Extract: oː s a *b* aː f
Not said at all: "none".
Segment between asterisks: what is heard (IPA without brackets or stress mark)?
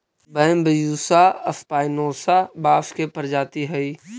b